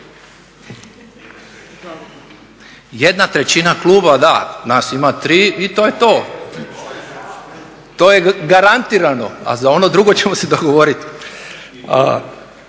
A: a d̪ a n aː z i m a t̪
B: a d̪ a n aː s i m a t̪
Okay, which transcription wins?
B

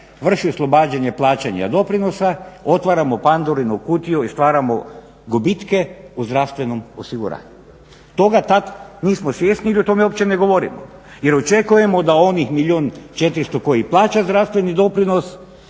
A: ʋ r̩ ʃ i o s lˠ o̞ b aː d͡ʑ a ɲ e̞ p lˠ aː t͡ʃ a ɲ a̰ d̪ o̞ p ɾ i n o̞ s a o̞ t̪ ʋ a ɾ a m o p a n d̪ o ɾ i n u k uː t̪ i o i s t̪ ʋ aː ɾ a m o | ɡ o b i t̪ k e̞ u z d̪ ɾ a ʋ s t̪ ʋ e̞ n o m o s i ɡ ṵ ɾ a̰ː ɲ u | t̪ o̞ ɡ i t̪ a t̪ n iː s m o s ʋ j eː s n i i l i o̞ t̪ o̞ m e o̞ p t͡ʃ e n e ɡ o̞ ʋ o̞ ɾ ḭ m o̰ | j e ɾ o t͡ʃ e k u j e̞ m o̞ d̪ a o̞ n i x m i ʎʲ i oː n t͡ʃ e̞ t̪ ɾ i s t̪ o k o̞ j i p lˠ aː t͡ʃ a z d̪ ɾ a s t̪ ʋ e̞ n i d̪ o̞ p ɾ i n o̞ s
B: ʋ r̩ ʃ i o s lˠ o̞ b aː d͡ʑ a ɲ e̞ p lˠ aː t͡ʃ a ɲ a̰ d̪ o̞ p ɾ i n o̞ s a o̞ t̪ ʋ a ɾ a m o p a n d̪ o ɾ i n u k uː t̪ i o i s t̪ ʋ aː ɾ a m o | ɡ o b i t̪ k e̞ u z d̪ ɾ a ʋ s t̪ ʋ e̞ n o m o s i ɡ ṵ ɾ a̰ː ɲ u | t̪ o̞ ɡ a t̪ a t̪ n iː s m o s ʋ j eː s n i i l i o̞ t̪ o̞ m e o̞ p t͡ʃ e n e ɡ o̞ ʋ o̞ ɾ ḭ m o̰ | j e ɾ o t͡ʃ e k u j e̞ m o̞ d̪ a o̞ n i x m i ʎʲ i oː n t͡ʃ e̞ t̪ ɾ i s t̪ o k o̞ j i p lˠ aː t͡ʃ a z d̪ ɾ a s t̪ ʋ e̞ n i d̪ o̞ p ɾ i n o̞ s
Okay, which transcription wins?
B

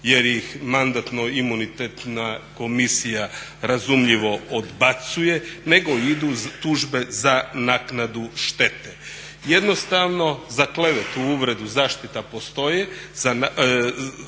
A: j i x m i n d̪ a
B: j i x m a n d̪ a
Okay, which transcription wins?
B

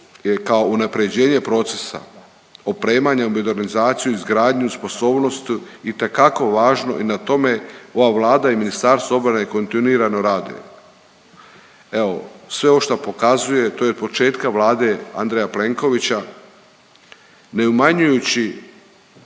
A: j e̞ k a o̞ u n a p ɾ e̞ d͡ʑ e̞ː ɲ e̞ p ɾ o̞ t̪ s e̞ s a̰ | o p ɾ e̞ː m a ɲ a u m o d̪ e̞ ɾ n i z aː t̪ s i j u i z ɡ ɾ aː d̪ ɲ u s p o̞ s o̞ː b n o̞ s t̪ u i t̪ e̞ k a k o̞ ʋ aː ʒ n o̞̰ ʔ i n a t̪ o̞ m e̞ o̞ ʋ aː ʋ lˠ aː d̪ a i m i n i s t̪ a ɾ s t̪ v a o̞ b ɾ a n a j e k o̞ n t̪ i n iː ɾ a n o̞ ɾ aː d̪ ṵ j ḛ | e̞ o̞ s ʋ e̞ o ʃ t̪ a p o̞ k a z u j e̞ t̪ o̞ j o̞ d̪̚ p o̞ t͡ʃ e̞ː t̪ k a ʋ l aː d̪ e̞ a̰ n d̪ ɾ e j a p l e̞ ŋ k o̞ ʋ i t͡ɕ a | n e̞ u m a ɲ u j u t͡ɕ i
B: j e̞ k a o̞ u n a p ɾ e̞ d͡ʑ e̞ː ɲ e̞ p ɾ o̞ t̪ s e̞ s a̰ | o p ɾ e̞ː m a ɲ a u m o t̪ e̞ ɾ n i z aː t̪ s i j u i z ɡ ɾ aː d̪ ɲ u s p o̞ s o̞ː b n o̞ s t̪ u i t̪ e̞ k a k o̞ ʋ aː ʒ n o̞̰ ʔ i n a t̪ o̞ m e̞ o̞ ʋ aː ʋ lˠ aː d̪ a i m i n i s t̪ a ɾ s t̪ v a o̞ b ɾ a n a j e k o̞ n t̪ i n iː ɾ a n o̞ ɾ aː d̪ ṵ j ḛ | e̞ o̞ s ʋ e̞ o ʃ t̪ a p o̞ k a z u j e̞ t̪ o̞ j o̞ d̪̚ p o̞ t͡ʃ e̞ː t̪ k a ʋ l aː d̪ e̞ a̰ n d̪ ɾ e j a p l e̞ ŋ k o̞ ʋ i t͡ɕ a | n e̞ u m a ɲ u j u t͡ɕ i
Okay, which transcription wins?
A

